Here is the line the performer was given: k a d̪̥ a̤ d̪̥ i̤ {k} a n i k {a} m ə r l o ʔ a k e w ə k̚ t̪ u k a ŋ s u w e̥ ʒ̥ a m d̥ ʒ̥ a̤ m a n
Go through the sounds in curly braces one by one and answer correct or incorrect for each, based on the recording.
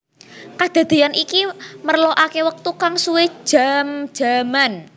incorrect, incorrect

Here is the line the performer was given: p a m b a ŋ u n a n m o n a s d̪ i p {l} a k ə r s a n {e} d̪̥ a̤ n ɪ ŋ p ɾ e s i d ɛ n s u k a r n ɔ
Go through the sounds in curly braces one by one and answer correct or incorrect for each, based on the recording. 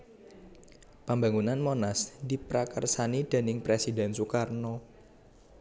incorrect, incorrect

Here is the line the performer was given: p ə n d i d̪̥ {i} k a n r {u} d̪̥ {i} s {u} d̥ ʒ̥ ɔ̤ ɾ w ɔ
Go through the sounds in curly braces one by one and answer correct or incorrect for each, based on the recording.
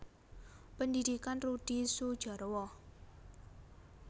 correct, correct, correct, correct

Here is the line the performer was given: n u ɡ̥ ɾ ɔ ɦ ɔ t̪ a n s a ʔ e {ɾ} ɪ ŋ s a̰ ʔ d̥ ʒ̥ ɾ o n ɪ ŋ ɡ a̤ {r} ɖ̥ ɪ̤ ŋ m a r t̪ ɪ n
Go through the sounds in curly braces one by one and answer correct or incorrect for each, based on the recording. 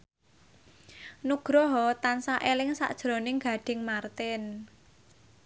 incorrect, incorrect

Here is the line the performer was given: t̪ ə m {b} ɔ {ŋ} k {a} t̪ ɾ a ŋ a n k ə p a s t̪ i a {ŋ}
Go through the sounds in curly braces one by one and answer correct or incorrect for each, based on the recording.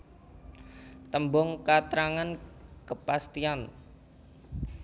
correct, correct, correct, incorrect

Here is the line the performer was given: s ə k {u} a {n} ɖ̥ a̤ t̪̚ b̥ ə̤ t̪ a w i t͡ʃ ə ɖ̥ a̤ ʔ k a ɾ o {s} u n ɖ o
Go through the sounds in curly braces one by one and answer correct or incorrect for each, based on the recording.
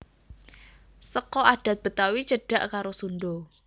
incorrect, incorrect, correct

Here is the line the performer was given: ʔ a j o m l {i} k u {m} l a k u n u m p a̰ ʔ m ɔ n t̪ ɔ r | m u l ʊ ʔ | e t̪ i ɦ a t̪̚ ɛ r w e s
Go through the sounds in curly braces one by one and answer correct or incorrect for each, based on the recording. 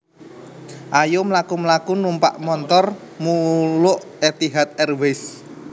incorrect, correct

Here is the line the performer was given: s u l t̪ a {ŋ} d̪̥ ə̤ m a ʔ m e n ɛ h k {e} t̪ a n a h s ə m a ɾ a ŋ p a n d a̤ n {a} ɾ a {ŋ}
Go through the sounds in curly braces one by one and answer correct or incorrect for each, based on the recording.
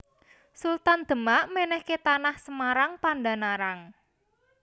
incorrect, correct, correct, correct

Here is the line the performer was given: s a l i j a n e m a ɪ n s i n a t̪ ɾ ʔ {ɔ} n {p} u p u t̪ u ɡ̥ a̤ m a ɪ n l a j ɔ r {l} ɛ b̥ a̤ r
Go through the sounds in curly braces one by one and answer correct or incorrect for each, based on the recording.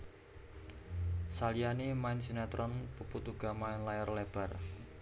correct, correct, correct

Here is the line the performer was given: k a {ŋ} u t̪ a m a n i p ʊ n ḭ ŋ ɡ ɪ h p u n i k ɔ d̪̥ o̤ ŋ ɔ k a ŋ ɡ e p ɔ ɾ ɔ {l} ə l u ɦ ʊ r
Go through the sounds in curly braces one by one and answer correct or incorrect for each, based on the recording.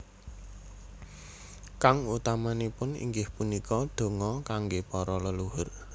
correct, correct

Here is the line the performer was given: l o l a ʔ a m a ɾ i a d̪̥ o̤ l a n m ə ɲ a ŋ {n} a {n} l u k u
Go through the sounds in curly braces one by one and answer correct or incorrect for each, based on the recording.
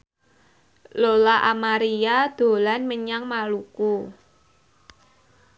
incorrect, incorrect

